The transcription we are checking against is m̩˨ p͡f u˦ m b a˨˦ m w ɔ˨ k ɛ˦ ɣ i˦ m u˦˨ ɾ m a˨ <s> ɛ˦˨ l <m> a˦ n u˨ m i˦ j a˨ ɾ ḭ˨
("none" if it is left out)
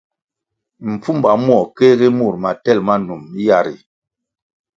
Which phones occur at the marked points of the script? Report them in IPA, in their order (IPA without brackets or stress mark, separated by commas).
t, m